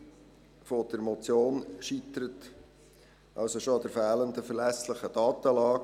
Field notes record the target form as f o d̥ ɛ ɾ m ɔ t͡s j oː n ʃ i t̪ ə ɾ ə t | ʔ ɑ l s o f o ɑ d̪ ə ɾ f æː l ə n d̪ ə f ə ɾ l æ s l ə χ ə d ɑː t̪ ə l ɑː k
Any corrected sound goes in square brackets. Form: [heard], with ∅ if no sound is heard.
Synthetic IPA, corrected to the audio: f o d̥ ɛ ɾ m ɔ t͡s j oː n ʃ i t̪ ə ɾ ə t | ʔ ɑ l s o [ʃ] o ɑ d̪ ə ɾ f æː l ə n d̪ ə f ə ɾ l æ s l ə χ ə d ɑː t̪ ə l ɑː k